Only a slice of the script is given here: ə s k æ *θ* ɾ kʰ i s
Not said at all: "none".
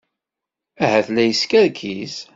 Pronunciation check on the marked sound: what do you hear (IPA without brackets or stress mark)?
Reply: none